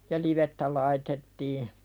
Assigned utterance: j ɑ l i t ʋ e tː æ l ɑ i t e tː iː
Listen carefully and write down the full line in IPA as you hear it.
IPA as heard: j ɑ l i ʋ e tː æ l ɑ i t e tː iː